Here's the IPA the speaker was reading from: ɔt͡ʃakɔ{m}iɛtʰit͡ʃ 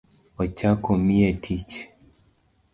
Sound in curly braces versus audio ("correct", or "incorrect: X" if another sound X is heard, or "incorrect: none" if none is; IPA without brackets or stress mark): correct